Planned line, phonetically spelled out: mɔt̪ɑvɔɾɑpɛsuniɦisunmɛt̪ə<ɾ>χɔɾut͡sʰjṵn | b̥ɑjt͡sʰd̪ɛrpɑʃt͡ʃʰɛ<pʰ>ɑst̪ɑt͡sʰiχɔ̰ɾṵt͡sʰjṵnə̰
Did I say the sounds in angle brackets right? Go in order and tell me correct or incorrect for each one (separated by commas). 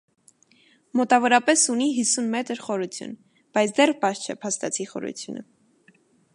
correct, correct